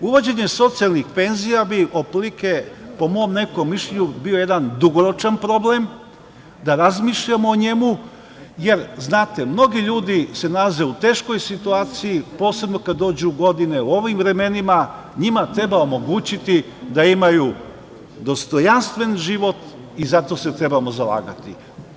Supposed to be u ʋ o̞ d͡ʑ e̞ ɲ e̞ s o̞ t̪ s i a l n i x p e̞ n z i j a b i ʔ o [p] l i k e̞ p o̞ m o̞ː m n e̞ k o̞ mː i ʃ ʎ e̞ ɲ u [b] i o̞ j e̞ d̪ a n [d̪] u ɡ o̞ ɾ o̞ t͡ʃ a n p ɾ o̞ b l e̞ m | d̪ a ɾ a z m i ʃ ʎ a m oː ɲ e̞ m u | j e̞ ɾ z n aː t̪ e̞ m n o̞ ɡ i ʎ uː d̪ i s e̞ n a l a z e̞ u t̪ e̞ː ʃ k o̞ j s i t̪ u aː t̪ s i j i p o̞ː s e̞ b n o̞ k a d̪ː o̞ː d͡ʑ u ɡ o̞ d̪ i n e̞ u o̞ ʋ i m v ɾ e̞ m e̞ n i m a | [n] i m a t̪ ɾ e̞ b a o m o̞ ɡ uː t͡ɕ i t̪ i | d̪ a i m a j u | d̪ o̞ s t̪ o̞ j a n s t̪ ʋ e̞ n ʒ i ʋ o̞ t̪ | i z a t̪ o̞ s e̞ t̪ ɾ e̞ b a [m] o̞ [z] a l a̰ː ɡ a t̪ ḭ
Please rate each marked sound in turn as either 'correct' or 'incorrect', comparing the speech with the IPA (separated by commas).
correct, correct, correct, incorrect, correct, correct